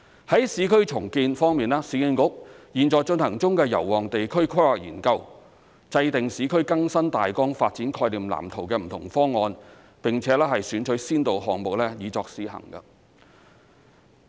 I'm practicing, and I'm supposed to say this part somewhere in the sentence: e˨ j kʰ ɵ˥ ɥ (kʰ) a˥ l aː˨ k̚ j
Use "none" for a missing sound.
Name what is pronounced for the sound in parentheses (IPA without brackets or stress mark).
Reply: kʰ